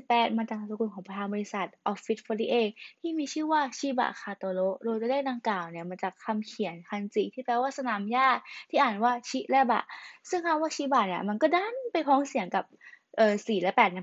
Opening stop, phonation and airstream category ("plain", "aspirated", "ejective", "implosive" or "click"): plain